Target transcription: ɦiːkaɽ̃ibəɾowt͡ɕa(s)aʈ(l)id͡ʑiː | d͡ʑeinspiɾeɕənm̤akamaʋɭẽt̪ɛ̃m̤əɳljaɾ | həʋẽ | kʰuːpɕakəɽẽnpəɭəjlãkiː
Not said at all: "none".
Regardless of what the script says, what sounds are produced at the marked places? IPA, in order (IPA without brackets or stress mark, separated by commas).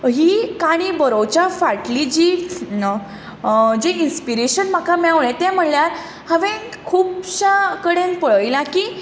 f, l